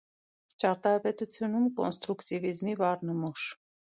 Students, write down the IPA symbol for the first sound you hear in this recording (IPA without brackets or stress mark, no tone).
t͡ʃ